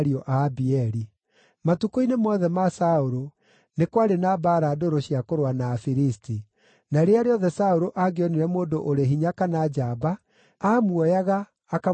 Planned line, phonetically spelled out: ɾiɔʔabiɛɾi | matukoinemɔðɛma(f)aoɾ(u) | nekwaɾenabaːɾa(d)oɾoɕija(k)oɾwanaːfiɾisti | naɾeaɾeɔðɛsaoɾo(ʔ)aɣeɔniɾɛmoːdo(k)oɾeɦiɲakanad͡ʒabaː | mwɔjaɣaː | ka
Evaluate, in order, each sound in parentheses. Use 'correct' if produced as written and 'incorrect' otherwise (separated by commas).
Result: incorrect, incorrect, correct, correct, correct, incorrect